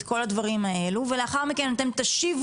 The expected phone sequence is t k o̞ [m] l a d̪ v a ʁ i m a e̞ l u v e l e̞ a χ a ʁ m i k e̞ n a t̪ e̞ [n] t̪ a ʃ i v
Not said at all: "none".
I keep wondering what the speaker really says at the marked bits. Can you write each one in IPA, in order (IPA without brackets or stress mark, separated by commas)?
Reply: none, m